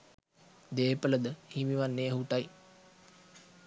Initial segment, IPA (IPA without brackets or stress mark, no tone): d̪